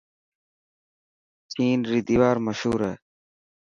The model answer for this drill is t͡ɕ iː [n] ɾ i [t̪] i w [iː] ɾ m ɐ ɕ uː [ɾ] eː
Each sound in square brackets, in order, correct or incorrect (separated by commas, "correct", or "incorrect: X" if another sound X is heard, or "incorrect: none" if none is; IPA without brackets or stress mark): correct, incorrect: d̪, incorrect: aː, correct